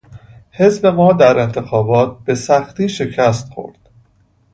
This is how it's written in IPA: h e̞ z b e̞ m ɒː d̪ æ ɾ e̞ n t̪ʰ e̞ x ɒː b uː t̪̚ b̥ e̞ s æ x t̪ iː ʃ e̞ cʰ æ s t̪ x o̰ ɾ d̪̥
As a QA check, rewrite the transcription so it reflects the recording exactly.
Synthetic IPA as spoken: h e̞ z b e̞ m ɒː d̪ æ ɾ e̞ n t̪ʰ e̞ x ɒː b ɒː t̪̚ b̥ e̞ s æ x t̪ iː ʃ e̞ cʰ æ s t̪ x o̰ ɾ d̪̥